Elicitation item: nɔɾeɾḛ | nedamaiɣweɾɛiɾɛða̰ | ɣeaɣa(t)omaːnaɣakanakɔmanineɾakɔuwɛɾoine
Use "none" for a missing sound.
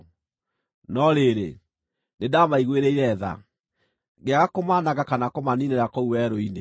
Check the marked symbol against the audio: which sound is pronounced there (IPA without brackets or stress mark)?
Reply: k